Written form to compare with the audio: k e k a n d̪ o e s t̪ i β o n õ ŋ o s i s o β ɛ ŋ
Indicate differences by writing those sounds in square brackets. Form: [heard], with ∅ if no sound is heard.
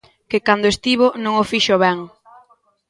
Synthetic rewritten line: k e k a n d̪ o e s t̪ i β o n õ ŋ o [f] i [ʃ] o β ɛ ŋ